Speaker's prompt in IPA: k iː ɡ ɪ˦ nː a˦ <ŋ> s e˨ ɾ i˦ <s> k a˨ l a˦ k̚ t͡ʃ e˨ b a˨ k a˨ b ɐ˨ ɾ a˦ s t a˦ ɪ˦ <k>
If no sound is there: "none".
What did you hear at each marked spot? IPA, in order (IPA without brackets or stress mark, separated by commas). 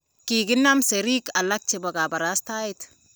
m, none, t